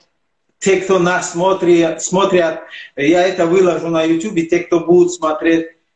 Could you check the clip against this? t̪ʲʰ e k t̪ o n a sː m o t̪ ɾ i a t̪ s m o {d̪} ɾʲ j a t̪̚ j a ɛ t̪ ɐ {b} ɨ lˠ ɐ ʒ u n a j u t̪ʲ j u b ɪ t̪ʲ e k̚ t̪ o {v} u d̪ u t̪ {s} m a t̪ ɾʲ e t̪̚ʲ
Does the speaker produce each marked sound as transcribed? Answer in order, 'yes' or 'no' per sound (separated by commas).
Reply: no, no, no, yes